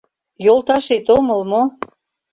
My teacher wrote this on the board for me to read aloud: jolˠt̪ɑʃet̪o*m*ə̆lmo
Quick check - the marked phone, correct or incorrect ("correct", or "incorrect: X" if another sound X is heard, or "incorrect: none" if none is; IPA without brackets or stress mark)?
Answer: correct